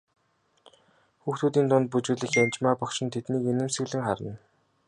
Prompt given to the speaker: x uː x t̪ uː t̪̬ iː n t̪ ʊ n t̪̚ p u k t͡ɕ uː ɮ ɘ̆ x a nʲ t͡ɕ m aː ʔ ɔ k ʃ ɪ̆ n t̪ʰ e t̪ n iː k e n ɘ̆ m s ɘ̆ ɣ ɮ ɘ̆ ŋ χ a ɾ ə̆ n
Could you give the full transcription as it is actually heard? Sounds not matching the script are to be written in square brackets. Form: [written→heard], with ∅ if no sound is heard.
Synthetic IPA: x uː x t̪ uː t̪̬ iː n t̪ ʊ n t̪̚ p u [k→∅] t͡ɕ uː ɮ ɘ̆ x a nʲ t͡ɕ m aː [ʔ→p] ɔ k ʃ ɪ̆ n t̪ʰ e t̪ n iː k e n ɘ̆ m s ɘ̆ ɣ ɮ ɘ̆ ŋ χ a ɾ ə̆ n